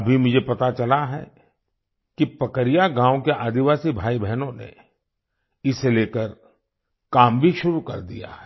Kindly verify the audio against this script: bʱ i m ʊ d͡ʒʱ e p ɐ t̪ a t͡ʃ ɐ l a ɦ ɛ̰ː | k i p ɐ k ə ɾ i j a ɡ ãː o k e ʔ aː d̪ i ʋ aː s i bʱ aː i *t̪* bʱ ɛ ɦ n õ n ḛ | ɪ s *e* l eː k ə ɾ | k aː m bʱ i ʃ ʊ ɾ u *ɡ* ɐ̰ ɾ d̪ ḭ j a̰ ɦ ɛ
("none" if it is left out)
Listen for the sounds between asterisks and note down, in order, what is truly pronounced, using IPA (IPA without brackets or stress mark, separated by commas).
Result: none, e, k